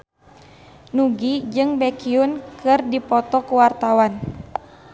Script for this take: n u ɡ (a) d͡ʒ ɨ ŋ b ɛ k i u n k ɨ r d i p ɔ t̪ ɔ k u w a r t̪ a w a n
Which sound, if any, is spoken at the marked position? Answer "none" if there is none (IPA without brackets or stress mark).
i